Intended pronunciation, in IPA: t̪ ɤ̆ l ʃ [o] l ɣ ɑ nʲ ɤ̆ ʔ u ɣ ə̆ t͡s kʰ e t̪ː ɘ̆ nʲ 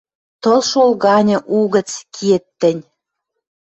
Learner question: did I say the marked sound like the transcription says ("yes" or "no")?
yes